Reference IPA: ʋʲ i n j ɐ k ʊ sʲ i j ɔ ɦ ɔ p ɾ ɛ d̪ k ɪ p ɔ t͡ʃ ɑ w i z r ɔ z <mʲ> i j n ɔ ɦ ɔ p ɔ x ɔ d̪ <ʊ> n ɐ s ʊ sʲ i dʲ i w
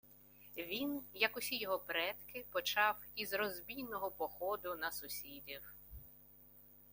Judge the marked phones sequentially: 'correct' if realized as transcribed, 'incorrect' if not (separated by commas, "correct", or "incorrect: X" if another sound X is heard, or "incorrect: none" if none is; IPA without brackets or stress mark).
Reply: incorrect: bʲ, correct